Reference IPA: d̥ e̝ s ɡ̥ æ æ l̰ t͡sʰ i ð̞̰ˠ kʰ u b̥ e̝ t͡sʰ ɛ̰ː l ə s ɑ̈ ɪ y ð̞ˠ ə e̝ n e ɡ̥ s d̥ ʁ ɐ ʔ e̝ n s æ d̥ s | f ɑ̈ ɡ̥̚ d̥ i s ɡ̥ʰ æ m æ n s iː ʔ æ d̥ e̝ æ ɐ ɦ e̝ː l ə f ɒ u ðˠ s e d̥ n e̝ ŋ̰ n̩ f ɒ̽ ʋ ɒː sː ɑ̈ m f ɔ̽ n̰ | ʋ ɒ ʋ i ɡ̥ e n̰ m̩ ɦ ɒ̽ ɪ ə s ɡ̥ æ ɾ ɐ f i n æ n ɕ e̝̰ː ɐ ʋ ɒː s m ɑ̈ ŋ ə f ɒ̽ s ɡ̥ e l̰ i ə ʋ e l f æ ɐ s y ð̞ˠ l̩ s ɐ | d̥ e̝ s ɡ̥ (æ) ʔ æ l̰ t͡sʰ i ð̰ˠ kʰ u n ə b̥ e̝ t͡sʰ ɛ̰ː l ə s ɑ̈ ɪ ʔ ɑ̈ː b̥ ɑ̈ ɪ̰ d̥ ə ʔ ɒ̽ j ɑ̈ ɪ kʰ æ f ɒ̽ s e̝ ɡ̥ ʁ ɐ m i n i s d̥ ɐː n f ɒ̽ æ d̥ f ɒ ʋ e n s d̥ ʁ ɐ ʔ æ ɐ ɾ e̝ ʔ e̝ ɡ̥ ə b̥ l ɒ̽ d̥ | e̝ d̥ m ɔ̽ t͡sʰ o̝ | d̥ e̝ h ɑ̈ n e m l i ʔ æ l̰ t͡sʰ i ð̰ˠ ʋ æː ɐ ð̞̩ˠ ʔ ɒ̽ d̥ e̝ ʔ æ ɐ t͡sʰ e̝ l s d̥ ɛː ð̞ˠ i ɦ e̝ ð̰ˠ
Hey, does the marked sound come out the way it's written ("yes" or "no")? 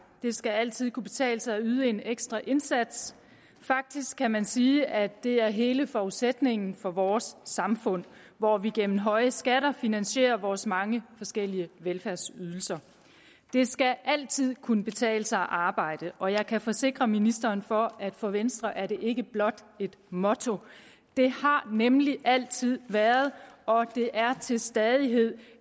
yes